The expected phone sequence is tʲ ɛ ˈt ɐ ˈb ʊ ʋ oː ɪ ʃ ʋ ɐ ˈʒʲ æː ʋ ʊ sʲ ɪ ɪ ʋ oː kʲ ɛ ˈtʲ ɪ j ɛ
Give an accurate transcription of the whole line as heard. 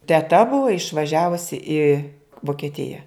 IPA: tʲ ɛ ˈt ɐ ˈb ʊ ʋ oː ɪ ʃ ʋ ɐ ˈʒʲ æː ʋ ʊ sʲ ɪ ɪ ʋ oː kʲ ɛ ˈtʲ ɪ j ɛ